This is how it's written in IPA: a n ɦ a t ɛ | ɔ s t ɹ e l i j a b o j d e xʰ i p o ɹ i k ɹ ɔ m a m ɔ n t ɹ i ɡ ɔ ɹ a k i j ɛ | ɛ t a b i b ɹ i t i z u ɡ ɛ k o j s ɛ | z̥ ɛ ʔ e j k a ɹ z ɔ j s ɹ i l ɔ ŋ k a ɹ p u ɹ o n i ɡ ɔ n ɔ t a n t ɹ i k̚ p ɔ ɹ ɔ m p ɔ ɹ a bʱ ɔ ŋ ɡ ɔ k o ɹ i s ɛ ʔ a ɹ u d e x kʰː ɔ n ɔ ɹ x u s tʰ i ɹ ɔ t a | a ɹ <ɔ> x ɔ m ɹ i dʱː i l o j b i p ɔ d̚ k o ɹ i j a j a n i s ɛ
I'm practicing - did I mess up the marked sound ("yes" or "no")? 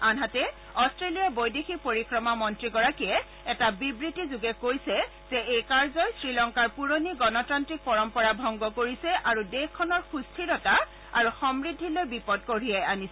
yes